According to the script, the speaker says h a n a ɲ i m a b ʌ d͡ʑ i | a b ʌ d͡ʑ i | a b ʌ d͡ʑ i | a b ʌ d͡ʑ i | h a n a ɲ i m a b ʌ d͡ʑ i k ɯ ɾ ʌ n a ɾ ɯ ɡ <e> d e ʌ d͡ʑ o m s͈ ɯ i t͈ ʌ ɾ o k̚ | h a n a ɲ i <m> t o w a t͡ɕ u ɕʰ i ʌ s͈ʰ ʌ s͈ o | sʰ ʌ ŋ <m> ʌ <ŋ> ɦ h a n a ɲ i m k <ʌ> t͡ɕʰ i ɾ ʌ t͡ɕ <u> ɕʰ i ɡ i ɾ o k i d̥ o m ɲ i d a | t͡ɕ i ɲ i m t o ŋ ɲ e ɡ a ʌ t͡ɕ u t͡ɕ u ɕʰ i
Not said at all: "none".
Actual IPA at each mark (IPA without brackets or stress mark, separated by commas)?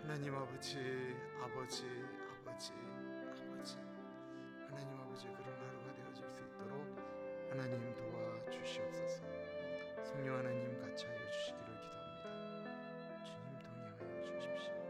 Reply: a, m, ɲ, ŋ, a, u